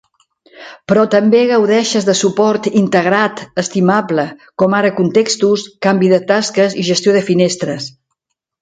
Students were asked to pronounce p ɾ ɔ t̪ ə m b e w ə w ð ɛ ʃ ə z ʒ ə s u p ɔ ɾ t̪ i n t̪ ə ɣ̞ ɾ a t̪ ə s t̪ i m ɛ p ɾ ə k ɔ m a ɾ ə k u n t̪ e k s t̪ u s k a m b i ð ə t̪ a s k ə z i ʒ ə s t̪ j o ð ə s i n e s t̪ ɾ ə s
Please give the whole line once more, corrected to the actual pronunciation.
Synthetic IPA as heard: p ɾ ɔ t̪ ə m b e ɣ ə w ð ɛ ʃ ə z ð ə s u p ɔ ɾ t̪ i n t̪ ə ɣ̞ ɾ a t̪ ə s t̪ i m a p l ə k ɔ m a ɾ ə k u n t̪ e k s t̪ u s k a m b i ð ə t̪ a s k ə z i ʒ ə s t̪ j o ð ə f i n e s t̪ ɾ ə s